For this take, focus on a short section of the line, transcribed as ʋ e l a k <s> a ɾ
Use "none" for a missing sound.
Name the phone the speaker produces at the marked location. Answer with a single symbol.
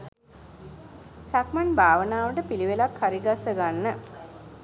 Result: h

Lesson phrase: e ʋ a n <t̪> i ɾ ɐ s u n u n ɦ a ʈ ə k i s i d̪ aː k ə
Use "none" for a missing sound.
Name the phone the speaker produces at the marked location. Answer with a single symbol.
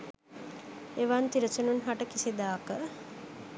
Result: t̪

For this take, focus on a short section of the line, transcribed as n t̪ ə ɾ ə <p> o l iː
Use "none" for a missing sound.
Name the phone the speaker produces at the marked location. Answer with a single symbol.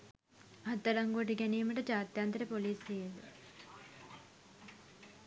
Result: p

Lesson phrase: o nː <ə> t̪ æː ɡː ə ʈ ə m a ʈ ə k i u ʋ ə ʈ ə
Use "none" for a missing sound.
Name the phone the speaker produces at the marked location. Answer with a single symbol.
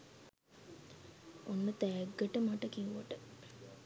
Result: ə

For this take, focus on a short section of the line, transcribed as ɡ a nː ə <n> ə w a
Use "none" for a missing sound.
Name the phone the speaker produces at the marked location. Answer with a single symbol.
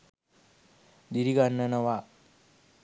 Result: n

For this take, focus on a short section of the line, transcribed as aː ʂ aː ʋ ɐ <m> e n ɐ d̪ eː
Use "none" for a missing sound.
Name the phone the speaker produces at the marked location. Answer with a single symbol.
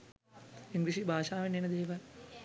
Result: n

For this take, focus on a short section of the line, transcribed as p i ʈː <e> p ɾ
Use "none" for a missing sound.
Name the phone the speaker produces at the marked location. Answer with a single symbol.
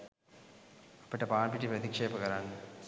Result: i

